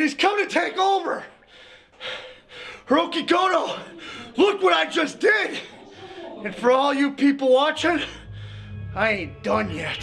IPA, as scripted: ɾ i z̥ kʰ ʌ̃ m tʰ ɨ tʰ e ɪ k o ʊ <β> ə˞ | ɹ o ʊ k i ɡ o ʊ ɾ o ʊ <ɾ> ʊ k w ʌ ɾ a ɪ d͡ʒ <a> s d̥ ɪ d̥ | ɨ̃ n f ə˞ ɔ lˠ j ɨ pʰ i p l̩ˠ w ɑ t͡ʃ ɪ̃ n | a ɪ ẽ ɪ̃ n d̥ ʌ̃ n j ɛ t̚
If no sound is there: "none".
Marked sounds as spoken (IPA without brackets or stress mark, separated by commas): v, l, ʌ